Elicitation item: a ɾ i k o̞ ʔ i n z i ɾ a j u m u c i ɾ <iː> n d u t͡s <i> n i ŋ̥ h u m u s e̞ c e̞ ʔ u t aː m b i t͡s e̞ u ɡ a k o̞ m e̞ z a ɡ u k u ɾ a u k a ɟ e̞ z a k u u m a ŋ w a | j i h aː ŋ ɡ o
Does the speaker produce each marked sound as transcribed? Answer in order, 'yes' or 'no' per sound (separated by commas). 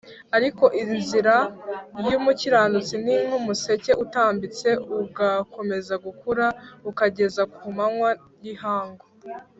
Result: no, yes